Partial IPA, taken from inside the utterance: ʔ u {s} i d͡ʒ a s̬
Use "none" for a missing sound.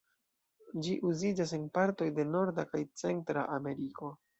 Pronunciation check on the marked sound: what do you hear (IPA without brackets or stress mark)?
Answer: z